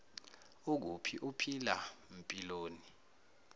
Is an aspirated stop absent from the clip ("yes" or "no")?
no